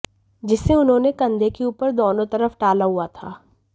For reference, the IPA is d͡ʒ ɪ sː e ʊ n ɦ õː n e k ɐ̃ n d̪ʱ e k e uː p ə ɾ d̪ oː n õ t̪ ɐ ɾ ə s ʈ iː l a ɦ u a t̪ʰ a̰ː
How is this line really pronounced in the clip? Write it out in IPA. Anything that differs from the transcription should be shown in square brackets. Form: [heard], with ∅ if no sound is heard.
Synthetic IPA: d͡ʒ ɪ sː e ʊ n ɦ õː n e k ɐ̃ n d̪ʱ e k e uː p ə ɾ d̪ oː n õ t̪ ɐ ɾ ə [f] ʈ [aː] l a ɦ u a t̪ʰ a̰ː